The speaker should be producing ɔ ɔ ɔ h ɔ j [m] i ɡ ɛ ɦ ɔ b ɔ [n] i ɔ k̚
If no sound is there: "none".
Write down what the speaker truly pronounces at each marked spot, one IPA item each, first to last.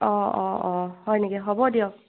n, d

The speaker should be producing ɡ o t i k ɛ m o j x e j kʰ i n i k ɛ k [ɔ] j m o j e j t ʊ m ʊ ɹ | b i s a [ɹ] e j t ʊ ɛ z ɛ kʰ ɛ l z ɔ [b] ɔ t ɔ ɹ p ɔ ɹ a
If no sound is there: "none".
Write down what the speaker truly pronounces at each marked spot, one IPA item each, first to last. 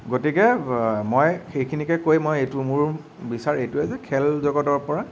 o, ɹ, ɡ

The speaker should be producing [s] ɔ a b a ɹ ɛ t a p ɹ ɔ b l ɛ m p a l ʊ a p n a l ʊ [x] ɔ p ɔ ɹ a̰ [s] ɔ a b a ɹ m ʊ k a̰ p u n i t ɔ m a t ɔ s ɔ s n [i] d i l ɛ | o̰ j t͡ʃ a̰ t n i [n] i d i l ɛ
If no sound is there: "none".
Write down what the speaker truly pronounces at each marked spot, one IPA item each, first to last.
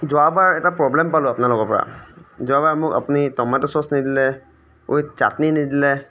z, k, z, i, n

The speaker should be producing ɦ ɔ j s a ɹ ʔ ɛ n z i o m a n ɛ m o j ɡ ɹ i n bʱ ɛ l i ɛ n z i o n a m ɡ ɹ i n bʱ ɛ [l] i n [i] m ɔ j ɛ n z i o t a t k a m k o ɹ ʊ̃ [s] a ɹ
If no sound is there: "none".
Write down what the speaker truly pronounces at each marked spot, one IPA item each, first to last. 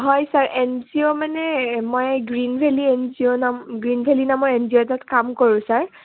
l, a, s

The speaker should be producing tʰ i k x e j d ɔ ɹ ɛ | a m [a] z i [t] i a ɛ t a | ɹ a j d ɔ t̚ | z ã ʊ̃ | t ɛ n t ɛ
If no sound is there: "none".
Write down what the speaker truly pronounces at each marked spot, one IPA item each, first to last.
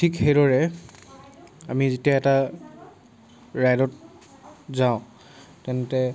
i, t

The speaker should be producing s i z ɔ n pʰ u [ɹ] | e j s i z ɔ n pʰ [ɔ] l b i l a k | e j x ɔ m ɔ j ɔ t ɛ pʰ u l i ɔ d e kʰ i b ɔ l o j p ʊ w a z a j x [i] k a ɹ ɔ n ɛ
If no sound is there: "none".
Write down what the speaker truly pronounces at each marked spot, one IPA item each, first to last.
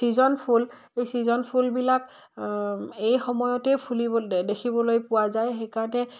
l, u, e

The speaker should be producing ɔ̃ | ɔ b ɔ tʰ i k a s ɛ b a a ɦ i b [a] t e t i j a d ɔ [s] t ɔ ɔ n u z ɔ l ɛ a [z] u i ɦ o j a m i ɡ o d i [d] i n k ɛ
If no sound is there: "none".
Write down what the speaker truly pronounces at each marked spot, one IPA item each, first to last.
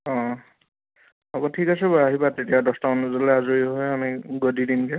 a, s, z, d

